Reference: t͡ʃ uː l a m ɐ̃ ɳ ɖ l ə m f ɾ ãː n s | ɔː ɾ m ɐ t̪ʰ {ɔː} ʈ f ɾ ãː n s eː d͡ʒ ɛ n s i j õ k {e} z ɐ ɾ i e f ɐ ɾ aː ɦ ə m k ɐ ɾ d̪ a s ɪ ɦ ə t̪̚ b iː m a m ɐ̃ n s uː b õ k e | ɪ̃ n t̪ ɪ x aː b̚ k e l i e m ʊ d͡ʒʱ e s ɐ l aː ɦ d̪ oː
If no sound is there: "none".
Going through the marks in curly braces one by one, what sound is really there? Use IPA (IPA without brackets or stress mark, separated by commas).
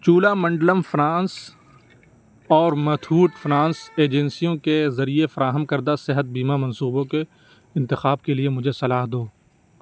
uː, e